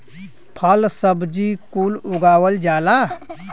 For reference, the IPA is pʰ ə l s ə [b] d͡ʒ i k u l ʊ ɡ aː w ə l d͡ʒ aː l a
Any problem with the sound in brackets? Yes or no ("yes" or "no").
no